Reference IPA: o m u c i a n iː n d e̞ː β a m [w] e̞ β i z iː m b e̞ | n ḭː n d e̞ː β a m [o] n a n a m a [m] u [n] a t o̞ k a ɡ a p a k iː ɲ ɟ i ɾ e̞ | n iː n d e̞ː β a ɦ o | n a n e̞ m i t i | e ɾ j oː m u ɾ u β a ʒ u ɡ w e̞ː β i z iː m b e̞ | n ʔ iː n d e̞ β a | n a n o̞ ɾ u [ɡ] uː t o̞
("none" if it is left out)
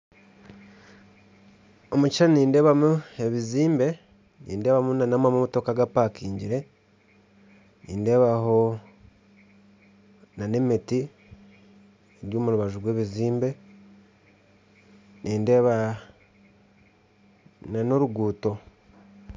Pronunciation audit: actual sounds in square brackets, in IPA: u, u, m, m, ɡ

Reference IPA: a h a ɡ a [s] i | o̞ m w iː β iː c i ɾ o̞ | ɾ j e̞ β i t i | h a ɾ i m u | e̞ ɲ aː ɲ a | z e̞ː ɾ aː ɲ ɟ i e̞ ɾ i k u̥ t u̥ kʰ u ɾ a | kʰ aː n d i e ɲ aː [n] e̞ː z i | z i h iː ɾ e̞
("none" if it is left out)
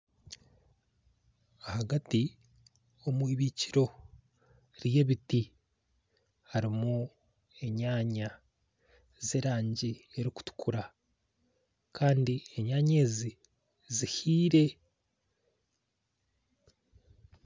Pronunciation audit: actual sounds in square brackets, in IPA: t, ɲ

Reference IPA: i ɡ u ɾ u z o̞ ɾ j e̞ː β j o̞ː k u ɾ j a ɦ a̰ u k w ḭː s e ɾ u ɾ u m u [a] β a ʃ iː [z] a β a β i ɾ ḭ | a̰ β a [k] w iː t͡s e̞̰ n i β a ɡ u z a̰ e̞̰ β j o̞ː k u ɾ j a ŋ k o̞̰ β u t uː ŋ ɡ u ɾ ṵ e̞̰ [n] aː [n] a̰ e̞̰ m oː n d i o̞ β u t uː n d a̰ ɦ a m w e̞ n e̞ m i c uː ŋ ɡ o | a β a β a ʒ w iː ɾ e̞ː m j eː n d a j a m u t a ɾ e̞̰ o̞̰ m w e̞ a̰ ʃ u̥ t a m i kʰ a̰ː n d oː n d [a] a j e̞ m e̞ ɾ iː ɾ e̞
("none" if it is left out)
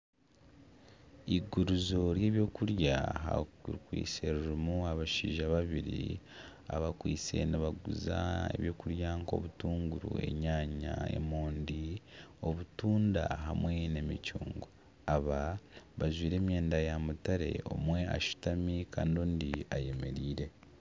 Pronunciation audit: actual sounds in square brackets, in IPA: a, ʒ, k, ɲ, ɲ, i

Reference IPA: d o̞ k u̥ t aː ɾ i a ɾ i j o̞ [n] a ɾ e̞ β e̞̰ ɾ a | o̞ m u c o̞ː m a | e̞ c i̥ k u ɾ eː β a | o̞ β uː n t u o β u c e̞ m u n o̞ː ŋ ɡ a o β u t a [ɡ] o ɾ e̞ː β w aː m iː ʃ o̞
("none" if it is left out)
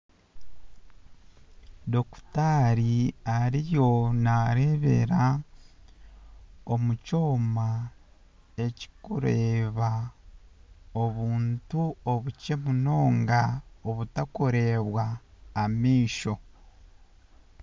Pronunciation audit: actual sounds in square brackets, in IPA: n, k

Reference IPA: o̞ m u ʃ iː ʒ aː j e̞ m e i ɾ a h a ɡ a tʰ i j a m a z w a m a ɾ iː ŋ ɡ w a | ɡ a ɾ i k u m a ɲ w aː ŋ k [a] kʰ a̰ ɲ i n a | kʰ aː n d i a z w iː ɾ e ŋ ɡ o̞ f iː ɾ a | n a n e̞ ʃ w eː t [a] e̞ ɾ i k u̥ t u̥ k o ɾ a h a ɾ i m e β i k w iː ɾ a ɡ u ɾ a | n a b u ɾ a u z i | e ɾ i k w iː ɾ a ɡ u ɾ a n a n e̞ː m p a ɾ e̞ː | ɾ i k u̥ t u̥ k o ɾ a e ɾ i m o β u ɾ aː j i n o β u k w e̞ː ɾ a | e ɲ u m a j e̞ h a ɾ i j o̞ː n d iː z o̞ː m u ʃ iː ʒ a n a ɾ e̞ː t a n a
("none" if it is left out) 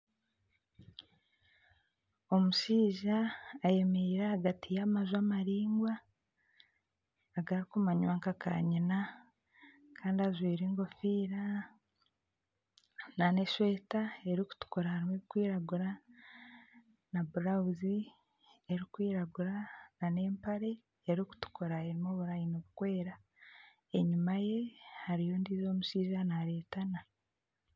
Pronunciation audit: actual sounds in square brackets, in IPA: a, a

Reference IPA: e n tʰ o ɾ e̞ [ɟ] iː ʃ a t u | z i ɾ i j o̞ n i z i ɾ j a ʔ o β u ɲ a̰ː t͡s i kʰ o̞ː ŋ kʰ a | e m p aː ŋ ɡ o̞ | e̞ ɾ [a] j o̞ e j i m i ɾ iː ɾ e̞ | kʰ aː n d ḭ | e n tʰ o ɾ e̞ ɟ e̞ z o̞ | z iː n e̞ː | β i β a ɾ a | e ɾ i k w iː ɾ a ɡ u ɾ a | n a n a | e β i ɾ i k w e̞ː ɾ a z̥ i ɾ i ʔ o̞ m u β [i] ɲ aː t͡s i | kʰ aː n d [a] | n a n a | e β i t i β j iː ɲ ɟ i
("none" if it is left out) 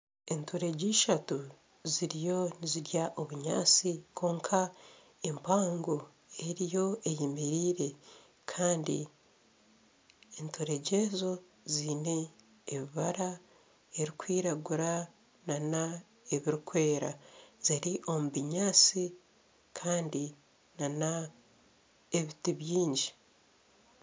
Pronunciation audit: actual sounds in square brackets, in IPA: ɟ, i, i, i

